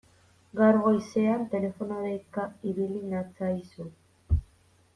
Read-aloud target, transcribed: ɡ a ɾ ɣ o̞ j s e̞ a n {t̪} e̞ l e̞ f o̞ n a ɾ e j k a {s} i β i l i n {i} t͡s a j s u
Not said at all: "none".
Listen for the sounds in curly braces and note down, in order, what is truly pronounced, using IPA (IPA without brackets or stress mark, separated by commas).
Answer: t̪, none, a